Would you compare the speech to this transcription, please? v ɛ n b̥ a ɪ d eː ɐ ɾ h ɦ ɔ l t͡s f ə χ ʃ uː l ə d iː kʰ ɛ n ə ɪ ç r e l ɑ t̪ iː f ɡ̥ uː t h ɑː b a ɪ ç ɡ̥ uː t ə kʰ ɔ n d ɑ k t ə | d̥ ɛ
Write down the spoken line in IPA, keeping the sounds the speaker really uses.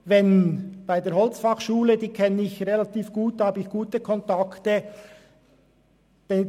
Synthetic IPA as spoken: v ɛ n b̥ a ɪ d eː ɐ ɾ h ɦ ɔ l t͡s f ɑ χ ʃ uː l ə d iː kʰ ɛ n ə ɪ ç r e l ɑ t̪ iː f ɡ̥ uː t h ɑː b ə ɪ ç ɡ̥ uː t ə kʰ ɔ n t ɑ k t ə | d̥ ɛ